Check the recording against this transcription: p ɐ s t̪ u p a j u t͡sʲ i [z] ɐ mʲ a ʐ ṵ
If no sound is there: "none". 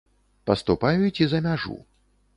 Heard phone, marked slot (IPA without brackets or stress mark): z